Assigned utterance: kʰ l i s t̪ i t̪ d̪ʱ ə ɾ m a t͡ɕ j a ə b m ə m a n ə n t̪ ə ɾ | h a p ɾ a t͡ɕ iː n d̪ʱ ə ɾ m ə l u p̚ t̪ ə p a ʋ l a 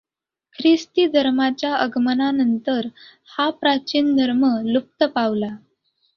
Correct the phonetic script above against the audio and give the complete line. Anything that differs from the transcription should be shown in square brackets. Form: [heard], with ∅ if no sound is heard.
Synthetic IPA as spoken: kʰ [ɾ] i s t̪ i [∅] d̪ʱ ə ɾ m a t͡ɕ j a ə [ɡ] m ə [n] a n ə n t̪ ə ɾ | h a p ɾ a t͡ɕ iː n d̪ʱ ə ɾ m ə l u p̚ t̪ ə p a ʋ l a

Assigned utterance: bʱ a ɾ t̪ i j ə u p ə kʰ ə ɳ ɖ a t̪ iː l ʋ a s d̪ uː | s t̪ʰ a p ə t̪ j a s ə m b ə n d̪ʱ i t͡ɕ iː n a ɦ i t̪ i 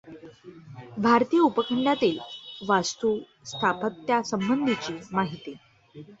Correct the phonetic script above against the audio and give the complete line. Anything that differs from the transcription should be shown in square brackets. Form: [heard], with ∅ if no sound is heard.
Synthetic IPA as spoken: bʱ a ɾ t̪ i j ə u p ə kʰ ə ɳ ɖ a t̪ iː l ʋ a s [t̪] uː | s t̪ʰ a p ə t̪ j a s ə m b ə n d̪ʱ i t͡ɕ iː [m] a ɦ i t̪ i

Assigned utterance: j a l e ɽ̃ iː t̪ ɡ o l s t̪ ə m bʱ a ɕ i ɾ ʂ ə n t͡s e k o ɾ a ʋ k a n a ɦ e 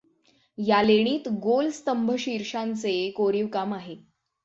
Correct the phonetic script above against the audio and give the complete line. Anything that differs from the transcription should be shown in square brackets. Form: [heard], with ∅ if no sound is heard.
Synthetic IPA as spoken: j a l e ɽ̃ iː t̪ ɡ o l s t̪ ə m bʱ [ə] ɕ i ɾ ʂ [a] n t͡s e k o ɾ [i] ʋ k a [m] a ɦ e

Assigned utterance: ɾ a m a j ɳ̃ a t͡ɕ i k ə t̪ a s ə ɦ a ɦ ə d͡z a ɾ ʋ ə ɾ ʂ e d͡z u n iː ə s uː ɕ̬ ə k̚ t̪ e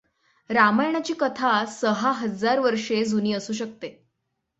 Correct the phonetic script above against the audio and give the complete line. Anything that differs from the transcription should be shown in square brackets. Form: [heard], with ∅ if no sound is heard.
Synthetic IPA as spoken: ɾ a m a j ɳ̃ a t͡ɕ [iː] k ə [t̪ʰ] a s ə ɦ a ɦ ə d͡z a ɾ ʋ ə ɾ ʂ e d͡z u n iː ə s uː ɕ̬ ə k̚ t̪ e

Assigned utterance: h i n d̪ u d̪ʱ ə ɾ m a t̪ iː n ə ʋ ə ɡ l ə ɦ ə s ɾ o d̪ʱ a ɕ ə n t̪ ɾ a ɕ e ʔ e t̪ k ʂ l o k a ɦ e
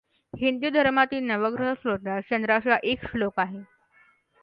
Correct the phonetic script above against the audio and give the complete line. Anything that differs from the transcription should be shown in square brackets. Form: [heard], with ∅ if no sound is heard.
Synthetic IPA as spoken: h i n d̪ u d̪ʱ ə ɾ m a t̪ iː n ə ʋ ə ɡ [ɾ] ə ɦ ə s ɾ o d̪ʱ a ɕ ə n [d̪] ɾ a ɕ [a] ʔ e [∅] k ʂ l o k a ɦ e

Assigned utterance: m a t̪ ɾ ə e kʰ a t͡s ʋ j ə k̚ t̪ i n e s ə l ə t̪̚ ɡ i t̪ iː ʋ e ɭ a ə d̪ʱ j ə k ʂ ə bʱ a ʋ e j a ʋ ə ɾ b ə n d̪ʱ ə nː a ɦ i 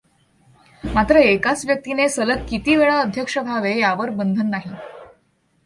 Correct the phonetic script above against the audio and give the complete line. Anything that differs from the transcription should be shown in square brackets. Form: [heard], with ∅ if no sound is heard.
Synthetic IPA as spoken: m a t̪ ɾ ə e [k] a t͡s ʋ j ə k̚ t̪ i n e s ə l ə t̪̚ [k] i t̪ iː ʋ e ɭ a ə d̪ʱ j ə k ʂ ə bʱ a ʋ e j a ʋ ə ɾ b ə n d̪ʱ ə nː a ɦ i

